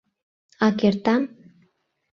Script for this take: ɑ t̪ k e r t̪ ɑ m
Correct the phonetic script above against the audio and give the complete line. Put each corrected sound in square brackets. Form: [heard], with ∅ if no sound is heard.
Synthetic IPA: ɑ [∅] k e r t̪ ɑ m

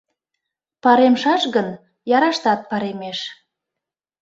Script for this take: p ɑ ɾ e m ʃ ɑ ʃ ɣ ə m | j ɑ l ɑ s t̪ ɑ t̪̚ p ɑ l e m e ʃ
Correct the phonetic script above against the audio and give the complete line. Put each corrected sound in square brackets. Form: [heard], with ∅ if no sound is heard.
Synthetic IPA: p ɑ ɾ e m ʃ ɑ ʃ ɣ ə [n] | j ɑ [ɾ] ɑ [ʃ] t̪ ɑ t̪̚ p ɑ [ɾ] e m e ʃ

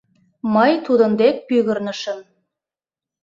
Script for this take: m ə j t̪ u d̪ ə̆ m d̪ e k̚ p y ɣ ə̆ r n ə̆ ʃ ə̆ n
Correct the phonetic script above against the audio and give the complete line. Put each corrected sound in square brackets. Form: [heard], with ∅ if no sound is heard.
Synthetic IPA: m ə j t̪ u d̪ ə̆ [n] d̪ e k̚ p y ɣ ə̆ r n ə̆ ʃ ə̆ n

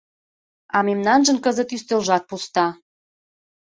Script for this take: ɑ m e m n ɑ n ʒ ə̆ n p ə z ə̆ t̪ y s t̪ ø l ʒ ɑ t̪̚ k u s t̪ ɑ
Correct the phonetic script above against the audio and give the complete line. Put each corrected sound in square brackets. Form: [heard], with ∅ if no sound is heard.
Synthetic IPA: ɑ m e m n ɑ n ʒ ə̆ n [k] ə z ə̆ t̪ y s t̪ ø l ʒ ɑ t̪̚ [p] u s t̪ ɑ

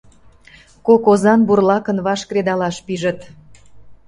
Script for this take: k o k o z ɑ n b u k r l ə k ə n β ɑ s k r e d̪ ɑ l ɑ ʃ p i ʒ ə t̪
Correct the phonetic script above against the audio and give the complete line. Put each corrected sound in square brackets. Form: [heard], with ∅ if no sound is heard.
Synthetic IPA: k o k o z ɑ n b u [∅] r l [ɑ] k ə n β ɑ [ʃ] k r e d̪ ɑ l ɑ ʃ p i ʒ ə t̪

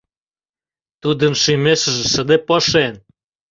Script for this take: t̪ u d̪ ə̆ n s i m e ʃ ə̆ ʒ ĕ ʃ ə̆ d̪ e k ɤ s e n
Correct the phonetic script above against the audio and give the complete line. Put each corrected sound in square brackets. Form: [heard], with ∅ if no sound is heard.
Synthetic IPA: t̪ u d̪ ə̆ n [ʃ] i m e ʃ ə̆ ʒ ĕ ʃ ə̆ d̪ e [p] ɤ [ʃ] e n

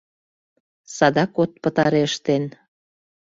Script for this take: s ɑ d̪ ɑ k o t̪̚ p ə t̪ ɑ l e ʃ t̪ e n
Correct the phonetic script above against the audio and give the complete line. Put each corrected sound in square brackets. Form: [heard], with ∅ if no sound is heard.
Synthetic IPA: s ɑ d̪ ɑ k o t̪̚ p ə t̪ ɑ [ɾ] e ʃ t̪ e n

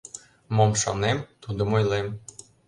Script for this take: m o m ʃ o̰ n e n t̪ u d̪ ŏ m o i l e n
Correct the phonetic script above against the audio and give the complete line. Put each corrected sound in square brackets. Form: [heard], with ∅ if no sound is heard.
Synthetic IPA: m o m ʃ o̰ n e [m] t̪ u d̪ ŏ m o [j] l e [m]

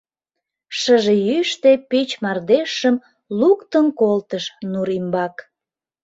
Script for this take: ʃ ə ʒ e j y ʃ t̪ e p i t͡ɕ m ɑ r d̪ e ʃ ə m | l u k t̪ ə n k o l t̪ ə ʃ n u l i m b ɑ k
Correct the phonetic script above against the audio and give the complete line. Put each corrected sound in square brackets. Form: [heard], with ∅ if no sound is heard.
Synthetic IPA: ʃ ə ʒ e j y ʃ t̪ e p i t͡ɕ m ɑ r d̪ e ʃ ə m | l u k t̪ ə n k o l t̪ ə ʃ n u [ɾ] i m b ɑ k

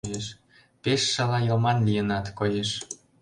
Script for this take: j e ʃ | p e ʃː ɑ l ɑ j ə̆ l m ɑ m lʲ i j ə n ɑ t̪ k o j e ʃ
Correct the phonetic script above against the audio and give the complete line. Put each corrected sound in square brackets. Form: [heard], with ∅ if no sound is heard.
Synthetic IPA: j e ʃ | p e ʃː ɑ l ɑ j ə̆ l m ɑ [n] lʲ i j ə n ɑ t̪ k o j e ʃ

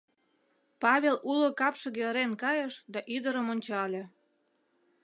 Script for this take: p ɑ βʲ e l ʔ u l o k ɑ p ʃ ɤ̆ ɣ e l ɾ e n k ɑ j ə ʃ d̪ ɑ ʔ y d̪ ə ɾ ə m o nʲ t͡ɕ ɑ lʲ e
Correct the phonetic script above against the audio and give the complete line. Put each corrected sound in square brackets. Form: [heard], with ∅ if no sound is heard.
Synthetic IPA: p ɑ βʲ e l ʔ u l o k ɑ p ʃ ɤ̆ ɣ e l ɾ e n k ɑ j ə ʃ d̪ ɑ ʔ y d̪ ə ɾ ə m o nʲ t͡ɕ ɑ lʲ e

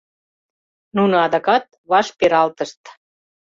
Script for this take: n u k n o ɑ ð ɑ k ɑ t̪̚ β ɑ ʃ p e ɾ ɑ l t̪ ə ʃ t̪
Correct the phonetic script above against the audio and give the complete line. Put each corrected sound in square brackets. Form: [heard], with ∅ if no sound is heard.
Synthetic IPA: n u [∅] n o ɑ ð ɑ k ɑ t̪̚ β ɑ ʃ p e ɾ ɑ l t̪ ə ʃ t̪

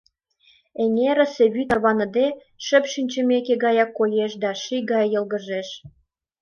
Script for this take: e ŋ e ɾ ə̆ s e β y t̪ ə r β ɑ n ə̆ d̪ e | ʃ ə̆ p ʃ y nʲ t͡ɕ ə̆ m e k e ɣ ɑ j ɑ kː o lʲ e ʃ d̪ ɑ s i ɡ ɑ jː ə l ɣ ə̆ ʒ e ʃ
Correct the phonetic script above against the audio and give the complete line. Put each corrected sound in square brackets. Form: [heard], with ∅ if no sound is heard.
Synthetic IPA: e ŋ e ɾ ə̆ s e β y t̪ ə r β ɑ n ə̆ d̪ e | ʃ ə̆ p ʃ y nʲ t͡ɕ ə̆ m e k e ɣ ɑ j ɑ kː o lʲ e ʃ d̪ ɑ [ʃ] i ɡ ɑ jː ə l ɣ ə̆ ʒ e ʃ

